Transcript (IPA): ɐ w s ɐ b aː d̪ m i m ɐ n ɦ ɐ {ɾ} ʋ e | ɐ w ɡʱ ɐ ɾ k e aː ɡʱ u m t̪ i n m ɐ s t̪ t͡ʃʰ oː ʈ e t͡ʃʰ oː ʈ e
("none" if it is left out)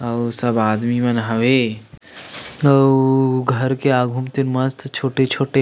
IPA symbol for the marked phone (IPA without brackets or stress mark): none